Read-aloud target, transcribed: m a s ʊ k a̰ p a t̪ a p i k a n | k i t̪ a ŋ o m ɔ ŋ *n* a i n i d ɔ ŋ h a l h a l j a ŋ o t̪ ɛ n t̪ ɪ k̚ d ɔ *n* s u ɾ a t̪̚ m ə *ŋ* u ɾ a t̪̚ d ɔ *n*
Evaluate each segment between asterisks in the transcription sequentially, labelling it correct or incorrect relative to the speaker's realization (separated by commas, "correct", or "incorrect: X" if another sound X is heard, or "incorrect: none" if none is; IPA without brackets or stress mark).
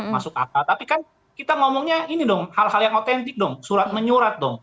incorrect: ɲ, incorrect: ŋ, incorrect: ɲ, incorrect: ŋ